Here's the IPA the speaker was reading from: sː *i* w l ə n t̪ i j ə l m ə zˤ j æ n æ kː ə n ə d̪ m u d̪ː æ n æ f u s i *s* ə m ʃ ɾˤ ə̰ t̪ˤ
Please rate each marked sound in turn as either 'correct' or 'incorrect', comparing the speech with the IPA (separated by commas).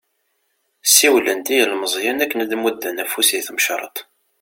correct, incorrect